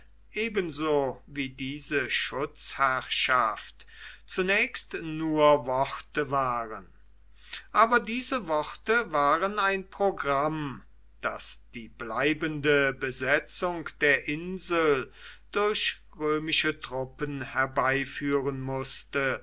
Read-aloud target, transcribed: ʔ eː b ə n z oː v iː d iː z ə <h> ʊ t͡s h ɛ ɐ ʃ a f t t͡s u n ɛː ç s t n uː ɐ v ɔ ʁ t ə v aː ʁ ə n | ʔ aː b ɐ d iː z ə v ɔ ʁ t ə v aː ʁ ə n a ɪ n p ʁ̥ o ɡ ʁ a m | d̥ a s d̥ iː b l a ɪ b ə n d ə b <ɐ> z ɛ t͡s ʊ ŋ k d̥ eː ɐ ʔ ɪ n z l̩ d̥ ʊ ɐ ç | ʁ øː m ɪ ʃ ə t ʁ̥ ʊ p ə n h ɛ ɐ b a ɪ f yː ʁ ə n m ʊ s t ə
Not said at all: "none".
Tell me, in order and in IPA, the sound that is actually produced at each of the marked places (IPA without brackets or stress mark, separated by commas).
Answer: ʃ, ə